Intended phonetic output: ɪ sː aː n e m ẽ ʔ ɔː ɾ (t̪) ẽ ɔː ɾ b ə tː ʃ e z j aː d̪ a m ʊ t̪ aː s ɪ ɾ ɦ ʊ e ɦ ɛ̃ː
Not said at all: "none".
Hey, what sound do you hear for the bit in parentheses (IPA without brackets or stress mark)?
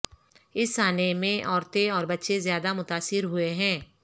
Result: t̪